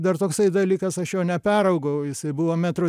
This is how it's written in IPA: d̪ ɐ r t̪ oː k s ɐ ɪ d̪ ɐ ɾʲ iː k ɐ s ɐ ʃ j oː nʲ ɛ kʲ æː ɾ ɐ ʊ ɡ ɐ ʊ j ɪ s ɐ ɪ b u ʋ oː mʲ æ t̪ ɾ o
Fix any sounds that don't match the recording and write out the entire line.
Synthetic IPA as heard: d̪ ɐ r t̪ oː k s ɐ ɪ d̪ ɐ lʲ iː k ɐ s ɐ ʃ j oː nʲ ɛ pʲ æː ɾ ɐ ʊ ɡ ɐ ʊ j ɪ s ɐ ɪ b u ʋ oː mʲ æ t̪ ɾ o